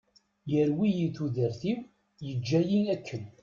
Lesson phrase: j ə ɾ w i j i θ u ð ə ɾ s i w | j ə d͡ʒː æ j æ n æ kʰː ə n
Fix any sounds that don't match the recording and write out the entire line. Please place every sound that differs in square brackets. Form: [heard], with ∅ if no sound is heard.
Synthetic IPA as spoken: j ə ɾ w i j i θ u ð ə ɾ [θ] i w | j ə d͡ʒː æ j [i] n æ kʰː ə n